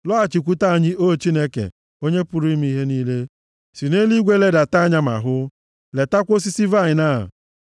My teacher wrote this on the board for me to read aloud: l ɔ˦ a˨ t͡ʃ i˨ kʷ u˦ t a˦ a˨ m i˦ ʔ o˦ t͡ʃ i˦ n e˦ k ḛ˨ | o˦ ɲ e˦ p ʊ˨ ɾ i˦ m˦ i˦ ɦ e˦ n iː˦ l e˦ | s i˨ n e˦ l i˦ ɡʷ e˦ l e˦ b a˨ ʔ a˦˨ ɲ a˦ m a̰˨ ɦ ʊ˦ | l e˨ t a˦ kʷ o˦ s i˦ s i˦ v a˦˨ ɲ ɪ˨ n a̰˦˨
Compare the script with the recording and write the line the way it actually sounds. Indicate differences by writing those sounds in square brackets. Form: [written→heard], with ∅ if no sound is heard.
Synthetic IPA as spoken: l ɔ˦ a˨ t͡ʃ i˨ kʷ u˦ t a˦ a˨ [m→ɲ] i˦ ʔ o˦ t͡ʃ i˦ n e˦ k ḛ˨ | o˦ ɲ e˦ p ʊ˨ ɾ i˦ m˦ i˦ ɦ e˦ n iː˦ l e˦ | s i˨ n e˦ l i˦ ɡʷ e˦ l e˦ [b→d] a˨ [ʔ→t] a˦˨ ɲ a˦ m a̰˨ ɦ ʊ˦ | l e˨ t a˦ kʷ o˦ s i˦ s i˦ v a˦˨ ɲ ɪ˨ n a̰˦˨